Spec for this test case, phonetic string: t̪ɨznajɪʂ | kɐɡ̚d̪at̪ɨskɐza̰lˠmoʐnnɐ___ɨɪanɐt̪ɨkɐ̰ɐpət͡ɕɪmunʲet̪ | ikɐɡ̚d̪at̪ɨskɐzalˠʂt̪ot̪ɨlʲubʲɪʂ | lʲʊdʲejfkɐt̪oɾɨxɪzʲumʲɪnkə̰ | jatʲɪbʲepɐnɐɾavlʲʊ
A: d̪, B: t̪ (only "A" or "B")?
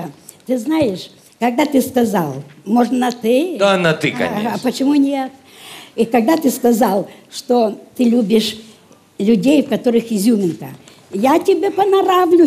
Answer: B